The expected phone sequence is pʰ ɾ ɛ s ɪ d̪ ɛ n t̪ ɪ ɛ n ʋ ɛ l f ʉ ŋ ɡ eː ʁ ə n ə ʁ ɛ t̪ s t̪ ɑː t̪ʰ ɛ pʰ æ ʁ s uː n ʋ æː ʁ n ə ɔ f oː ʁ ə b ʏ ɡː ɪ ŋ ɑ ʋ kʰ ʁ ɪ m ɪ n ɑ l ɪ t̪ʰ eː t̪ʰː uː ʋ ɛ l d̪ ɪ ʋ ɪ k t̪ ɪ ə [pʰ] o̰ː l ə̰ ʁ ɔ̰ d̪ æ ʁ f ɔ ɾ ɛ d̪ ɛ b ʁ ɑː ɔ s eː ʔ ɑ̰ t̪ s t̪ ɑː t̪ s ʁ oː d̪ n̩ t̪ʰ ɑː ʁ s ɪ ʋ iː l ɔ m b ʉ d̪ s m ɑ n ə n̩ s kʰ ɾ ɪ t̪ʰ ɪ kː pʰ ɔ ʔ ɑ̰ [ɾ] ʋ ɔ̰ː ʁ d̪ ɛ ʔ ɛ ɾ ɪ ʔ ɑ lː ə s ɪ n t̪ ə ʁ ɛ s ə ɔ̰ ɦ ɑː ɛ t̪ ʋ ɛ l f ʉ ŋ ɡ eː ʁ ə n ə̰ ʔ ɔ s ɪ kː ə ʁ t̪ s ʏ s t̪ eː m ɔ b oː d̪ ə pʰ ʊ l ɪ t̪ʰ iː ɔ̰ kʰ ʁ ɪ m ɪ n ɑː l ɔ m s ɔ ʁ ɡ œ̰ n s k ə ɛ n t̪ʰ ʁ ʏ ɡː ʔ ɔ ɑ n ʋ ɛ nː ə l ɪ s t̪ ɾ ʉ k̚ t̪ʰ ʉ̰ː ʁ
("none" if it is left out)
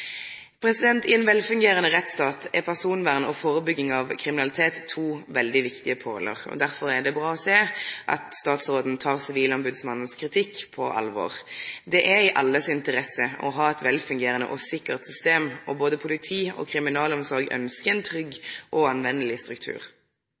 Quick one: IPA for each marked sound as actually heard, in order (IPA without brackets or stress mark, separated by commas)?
pʰ, l